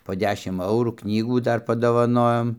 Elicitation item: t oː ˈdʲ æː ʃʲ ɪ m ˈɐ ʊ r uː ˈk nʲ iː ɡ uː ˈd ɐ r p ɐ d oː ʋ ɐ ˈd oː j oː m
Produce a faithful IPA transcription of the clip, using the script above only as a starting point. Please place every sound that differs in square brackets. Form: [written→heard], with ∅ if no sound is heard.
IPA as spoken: [t→p] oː ˈdʲ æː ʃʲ ɪ m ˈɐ ʊ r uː ˈk nʲ iː ɡ uː ˈd ɐ r p ɐ d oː ʋ ɐ [ˈd→ˈn] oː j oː m